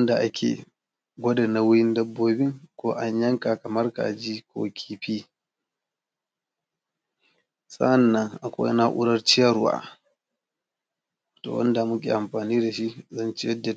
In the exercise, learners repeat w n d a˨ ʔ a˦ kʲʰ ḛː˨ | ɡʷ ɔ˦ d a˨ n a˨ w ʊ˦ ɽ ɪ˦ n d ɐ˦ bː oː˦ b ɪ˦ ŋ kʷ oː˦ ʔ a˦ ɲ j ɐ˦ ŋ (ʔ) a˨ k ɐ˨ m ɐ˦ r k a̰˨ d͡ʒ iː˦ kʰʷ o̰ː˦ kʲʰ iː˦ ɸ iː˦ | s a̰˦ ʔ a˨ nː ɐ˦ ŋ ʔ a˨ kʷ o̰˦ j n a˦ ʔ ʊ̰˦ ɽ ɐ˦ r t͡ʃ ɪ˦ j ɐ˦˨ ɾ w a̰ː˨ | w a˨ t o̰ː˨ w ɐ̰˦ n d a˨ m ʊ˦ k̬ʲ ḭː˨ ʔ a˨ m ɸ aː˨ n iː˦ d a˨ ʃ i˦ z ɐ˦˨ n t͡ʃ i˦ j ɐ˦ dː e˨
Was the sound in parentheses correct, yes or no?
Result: no